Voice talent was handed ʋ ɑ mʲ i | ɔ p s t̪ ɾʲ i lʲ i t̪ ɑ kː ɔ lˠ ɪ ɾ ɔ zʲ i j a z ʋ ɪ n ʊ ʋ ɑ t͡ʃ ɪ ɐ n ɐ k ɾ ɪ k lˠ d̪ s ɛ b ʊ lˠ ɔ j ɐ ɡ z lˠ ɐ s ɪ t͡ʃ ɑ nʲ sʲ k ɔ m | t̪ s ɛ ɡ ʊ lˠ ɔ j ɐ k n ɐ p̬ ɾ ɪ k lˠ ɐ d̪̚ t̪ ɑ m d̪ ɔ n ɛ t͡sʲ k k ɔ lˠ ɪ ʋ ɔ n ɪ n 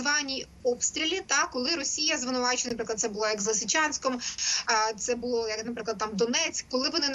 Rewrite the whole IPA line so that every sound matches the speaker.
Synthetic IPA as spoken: ʋ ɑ nʲ i | ɔ p s t̪ ɾʲ i lʲ i t̪ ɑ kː ɔ lˠ ɪ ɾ ɔ sʲ i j ɐ z ʋ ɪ n ʊ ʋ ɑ t͡ʃ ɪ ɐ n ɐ p ɾ ɪ k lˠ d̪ s ɛ b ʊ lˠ ɔ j ɐ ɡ z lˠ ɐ s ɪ t͡ʃ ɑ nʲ sʲ k ɔ m | t̪ s ɛ b ʊ lˠ ɔ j ɐ k n ɐ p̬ ɾ ɪ k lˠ ɐ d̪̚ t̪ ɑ m d̪ ɔ n ɛ t͡sʲ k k ɔ lˠ ɪ ʋ ɔ n ɪ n